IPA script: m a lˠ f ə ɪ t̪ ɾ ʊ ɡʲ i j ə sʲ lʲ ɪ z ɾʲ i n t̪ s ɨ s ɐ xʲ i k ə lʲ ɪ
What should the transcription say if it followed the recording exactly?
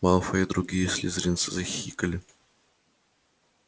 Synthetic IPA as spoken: m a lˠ f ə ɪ d̪ ɾ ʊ ɡʲ i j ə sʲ lʲ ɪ z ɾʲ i n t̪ s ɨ z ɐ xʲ i k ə lʲ ɪ